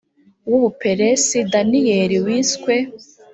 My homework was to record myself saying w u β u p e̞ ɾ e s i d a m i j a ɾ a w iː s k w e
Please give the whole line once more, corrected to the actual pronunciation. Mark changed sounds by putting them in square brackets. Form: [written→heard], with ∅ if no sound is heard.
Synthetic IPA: w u β u p e̞ ɾ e s i d a [m→n] i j [a→e] ɾ [a→i] w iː s k w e